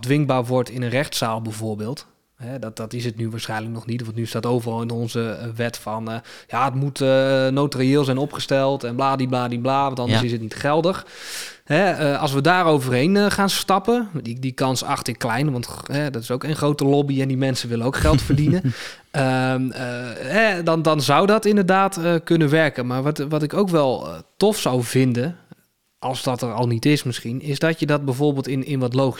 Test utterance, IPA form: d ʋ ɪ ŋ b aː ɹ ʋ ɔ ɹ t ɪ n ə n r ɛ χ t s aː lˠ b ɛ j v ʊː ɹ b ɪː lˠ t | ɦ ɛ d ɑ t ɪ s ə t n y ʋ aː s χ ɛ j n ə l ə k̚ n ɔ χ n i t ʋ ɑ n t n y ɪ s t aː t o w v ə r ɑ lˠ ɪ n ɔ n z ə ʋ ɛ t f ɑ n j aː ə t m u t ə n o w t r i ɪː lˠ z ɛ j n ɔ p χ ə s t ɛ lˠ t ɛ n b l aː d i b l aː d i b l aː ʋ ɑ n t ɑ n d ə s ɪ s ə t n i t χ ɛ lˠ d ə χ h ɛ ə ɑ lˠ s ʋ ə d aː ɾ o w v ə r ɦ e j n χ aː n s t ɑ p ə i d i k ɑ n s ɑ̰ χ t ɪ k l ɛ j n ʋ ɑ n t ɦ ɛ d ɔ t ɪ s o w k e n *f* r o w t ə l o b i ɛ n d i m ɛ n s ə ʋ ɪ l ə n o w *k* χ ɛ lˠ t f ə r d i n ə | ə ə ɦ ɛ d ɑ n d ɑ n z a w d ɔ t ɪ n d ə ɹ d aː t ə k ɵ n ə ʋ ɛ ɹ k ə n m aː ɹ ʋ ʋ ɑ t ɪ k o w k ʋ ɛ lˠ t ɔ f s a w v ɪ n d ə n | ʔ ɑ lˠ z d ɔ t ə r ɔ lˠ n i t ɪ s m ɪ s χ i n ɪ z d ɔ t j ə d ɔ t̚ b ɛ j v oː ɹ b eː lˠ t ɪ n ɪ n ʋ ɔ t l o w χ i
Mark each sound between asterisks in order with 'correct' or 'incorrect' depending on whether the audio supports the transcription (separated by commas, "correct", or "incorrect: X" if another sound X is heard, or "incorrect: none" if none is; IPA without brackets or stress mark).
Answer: incorrect: χ, correct